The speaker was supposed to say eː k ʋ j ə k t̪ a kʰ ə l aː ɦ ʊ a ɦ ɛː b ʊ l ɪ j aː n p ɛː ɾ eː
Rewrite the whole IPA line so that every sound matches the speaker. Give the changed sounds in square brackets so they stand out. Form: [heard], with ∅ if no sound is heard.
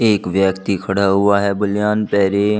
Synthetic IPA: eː k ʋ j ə k t̪ [i] kʰ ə [ɽ] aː ɦ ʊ a ɦ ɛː b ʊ l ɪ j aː n p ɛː ɾ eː